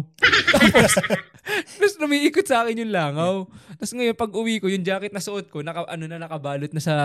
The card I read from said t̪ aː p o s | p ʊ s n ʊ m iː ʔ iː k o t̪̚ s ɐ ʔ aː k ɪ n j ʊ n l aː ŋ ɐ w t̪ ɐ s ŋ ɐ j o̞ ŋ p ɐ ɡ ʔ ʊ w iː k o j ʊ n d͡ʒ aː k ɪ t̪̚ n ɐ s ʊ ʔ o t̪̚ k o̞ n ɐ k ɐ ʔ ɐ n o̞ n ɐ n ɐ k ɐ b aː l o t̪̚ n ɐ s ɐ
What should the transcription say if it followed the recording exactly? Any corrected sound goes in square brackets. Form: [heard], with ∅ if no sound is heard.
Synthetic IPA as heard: t̪ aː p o s | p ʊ s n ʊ m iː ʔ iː k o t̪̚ s ɐ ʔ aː k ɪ n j ʊ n l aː ŋ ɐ w t̪ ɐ s ŋ ɐ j o̞ [n] p ɐ ɡ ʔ ʊ w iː k o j ʊ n d͡ʒ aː k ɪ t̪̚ n ɐ s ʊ ʔ o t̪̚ k o̞ n ɐ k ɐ ʔ ɐ n o̞ n ɐ n ɐ k ɐ b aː l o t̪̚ n ɐ s ɐ